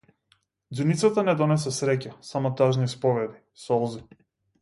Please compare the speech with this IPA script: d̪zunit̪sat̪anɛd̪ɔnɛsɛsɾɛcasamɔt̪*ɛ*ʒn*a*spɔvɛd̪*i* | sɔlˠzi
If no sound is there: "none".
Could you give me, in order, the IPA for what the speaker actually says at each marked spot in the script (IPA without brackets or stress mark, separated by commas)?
a, i, i